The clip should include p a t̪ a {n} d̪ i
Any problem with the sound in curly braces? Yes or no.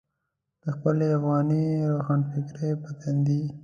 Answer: no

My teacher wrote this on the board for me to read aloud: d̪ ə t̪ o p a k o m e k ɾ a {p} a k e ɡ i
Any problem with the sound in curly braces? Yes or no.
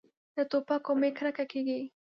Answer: yes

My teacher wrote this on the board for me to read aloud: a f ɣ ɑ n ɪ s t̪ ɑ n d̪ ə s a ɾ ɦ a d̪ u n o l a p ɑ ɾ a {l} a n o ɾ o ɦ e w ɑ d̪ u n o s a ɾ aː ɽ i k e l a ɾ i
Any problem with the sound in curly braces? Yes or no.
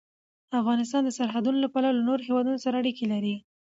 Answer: no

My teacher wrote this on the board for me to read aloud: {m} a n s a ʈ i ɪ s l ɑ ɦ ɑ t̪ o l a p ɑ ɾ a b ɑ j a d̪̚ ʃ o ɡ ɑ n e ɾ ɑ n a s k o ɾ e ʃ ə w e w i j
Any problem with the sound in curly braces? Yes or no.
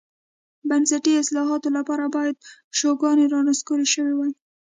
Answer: yes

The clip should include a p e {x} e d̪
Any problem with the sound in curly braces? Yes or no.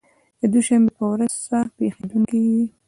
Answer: no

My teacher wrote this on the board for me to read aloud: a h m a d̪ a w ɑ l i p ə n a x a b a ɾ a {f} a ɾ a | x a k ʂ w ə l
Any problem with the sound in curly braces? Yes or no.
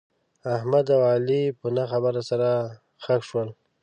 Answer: yes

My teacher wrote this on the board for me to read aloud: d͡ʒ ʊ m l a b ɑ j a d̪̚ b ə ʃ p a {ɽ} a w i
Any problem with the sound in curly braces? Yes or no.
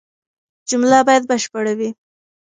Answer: no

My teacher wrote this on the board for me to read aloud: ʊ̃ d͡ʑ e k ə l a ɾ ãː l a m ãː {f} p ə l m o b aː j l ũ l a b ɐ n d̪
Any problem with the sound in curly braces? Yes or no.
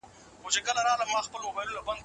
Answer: yes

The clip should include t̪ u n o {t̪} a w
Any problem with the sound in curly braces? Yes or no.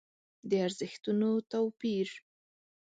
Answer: no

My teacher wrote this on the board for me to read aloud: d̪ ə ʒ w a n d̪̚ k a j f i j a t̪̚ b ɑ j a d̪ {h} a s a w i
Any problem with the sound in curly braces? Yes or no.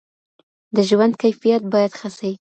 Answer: yes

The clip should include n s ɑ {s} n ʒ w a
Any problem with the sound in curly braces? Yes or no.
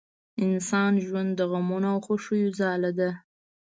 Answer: yes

